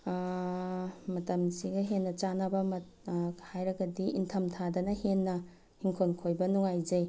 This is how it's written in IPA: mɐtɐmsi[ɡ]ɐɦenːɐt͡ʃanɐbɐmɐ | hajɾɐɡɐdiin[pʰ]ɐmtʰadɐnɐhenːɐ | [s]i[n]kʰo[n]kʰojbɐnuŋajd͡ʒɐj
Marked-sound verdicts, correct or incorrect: correct, incorrect, incorrect, incorrect, correct

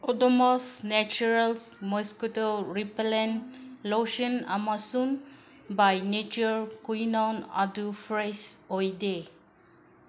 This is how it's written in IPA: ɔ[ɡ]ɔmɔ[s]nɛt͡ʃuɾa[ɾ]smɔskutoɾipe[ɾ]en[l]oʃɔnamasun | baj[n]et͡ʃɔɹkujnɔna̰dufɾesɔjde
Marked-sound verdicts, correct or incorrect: incorrect, correct, incorrect, incorrect, correct, correct

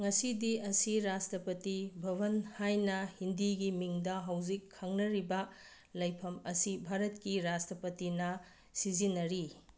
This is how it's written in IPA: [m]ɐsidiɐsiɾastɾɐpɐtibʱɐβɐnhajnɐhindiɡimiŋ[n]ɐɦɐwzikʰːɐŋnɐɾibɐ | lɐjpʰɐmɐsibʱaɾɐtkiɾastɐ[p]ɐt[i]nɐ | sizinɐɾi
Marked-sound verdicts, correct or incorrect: incorrect, incorrect, correct, correct

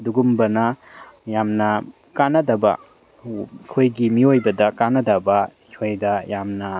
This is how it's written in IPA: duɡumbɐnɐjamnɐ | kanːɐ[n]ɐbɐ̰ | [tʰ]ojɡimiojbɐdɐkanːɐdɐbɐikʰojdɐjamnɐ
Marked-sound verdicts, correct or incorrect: incorrect, incorrect

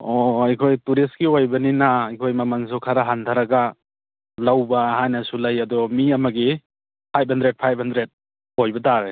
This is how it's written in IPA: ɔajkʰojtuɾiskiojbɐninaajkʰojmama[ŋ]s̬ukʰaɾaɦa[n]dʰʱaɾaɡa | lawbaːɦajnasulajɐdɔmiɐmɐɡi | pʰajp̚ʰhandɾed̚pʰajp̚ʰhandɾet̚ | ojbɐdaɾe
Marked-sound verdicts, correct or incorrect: correct, correct

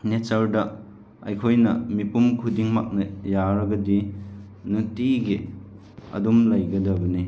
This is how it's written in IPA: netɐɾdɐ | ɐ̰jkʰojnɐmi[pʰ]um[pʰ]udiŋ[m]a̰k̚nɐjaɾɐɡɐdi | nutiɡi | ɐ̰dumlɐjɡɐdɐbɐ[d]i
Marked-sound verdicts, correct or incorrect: incorrect, incorrect, correct, incorrect

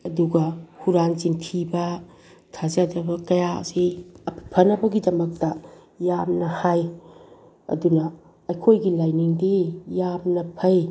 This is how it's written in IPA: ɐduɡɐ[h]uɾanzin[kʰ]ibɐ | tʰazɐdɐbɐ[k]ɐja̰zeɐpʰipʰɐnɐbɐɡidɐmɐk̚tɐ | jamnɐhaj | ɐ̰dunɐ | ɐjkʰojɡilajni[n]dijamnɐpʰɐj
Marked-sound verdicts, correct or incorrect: correct, incorrect, correct, incorrect

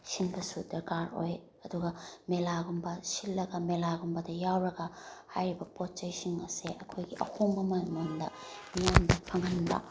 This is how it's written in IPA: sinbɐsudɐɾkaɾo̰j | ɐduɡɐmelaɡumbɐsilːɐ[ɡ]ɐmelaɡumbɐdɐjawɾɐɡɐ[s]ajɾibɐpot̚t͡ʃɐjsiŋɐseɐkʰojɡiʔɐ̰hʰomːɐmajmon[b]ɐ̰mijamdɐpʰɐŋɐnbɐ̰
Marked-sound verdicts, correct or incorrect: correct, incorrect, incorrect

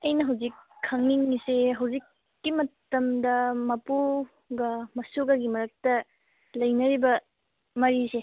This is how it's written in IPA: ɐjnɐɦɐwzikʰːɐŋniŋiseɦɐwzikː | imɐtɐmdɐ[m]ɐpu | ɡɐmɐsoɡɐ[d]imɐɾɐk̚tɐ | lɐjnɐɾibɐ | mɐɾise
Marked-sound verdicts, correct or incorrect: correct, incorrect

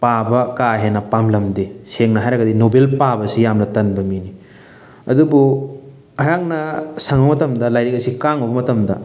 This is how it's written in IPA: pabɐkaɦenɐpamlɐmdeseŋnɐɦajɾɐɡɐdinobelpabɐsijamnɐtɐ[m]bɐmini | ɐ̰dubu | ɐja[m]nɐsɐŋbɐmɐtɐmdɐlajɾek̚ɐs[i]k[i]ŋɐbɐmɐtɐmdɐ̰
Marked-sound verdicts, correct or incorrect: incorrect, incorrect, correct, incorrect

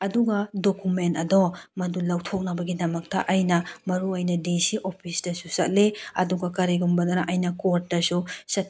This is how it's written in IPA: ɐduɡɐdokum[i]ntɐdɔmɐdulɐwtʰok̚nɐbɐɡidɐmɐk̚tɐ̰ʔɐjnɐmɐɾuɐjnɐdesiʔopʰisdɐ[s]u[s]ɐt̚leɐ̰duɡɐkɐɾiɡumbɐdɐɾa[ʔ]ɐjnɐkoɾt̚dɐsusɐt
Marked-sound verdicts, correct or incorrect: incorrect, correct, correct, correct

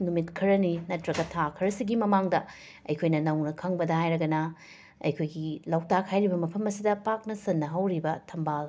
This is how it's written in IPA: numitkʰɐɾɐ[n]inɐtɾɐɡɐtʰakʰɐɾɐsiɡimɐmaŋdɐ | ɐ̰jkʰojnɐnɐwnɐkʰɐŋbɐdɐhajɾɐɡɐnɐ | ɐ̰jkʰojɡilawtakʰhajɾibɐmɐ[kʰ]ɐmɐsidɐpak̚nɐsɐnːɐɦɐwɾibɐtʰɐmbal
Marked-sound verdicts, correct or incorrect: correct, incorrect

